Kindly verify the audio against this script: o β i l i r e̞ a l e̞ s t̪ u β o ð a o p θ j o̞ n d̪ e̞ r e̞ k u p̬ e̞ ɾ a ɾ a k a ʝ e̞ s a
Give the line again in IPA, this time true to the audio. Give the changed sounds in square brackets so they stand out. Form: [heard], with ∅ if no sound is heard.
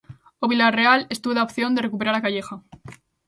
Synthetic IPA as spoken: o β i l [a] r e̞ a l e̞ s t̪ u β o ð a o p θ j o̞ n d̪ e̞ r e̞ k u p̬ e̞ ɾ a ɾ a k a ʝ e̞ [x] a